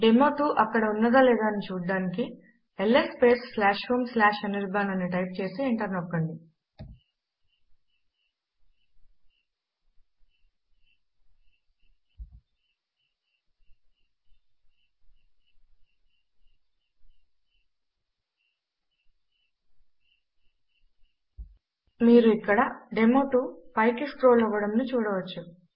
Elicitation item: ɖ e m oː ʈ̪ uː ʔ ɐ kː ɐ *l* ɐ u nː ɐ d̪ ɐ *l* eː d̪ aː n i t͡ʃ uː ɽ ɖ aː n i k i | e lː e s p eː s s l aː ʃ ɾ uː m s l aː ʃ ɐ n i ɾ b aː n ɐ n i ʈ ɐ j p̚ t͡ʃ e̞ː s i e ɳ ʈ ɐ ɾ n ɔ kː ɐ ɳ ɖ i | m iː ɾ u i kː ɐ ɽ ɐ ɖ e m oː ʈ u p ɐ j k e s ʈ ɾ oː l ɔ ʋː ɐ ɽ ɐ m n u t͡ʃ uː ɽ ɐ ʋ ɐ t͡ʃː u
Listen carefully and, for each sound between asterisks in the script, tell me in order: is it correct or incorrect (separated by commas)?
incorrect, correct